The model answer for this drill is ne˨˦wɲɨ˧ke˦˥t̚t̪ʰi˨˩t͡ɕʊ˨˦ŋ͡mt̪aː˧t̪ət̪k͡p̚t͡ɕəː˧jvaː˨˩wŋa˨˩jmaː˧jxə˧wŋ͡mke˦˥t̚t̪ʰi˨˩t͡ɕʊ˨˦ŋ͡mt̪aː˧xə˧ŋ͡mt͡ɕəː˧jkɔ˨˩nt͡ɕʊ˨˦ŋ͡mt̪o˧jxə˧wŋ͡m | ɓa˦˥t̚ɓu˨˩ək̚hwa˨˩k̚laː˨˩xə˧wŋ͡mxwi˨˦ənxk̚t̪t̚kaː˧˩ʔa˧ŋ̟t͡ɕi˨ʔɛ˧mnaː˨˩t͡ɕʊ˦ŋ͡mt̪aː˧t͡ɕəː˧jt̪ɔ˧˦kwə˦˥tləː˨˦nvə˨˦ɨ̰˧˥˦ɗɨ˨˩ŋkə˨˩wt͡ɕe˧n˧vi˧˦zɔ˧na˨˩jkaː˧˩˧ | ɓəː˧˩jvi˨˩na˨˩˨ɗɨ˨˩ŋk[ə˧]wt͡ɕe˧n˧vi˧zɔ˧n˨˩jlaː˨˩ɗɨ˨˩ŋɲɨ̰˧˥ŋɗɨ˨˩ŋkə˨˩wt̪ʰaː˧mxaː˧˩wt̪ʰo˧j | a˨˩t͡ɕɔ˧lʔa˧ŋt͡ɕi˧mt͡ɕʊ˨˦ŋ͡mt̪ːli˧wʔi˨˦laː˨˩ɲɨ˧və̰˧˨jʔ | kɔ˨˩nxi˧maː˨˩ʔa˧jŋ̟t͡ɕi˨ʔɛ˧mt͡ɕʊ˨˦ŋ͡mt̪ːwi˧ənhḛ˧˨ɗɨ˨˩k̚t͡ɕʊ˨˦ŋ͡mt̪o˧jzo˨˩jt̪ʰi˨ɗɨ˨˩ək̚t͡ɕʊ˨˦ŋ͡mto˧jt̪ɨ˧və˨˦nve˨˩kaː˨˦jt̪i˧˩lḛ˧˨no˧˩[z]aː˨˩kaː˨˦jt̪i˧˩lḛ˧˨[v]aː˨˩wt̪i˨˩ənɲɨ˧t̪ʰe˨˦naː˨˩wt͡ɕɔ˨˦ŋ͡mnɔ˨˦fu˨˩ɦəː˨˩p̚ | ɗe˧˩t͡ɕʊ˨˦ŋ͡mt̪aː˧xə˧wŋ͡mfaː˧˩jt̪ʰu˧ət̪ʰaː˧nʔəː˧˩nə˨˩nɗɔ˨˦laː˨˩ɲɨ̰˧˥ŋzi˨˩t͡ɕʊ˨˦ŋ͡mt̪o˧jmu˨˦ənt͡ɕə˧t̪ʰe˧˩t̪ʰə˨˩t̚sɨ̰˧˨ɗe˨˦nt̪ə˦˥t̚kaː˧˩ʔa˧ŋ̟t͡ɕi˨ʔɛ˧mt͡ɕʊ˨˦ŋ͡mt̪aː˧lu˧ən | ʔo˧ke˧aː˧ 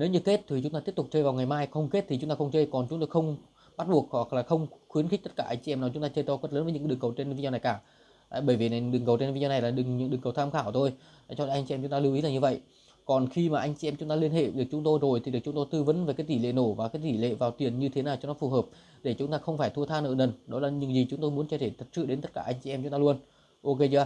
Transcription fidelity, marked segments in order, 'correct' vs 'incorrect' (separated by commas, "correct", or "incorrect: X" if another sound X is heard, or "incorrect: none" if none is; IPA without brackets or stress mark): incorrect: ə˨˩, incorrect: v, correct